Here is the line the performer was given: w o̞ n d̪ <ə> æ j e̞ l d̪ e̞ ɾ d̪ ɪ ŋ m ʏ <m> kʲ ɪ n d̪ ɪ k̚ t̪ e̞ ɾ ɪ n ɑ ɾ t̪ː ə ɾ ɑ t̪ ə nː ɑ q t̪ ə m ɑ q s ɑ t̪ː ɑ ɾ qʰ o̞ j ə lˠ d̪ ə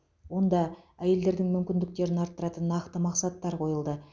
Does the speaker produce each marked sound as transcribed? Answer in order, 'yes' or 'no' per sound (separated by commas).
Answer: no, yes